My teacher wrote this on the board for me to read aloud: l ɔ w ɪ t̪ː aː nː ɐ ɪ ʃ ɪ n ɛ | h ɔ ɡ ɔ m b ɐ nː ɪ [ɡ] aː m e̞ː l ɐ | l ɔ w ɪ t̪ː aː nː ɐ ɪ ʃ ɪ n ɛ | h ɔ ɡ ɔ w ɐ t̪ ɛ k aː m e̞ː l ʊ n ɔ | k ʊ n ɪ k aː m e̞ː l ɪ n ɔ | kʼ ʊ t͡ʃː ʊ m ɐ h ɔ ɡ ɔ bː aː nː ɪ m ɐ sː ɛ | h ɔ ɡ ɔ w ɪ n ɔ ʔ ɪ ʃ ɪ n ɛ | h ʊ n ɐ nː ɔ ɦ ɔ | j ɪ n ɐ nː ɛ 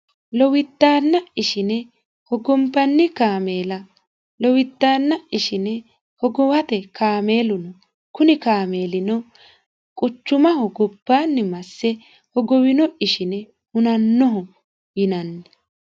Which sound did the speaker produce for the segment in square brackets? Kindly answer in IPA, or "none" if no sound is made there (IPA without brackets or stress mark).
k